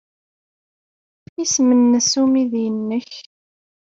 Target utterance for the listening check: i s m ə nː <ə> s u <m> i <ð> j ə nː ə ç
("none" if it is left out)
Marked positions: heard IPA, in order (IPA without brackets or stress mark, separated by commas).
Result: ə, m, ð